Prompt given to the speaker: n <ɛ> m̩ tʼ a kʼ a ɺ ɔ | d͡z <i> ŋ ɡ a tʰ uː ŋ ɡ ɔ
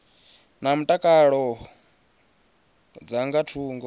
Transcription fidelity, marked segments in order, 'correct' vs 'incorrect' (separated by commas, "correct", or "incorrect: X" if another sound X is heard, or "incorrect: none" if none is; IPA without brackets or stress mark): incorrect: a, incorrect: a